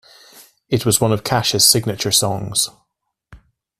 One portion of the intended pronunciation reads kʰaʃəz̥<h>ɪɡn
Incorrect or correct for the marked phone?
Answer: incorrect: s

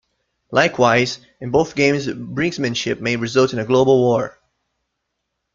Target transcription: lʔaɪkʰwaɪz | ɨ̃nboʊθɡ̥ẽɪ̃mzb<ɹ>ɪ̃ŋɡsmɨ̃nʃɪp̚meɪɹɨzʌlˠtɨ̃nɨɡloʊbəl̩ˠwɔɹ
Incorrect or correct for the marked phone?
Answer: correct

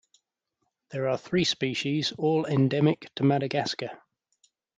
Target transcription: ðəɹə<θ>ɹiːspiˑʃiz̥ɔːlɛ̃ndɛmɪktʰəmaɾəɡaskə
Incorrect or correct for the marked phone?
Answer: correct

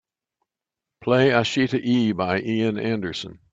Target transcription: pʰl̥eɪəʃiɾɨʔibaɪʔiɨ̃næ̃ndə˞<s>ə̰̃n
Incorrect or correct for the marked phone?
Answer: correct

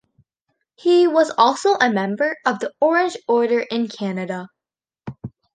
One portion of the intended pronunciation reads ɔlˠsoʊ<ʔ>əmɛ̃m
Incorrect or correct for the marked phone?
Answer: correct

